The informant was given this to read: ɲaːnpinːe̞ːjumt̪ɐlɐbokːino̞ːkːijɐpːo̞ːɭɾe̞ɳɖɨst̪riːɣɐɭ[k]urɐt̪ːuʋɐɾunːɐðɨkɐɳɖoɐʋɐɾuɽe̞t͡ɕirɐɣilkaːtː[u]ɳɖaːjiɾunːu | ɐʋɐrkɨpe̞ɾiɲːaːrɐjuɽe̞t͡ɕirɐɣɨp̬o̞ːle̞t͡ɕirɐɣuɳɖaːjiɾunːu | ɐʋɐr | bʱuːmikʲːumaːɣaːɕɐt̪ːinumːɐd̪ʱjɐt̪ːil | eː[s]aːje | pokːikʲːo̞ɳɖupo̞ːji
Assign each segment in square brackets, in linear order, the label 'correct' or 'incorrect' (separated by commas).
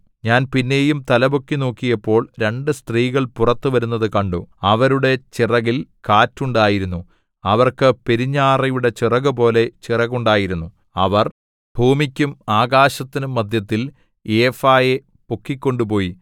incorrect, correct, incorrect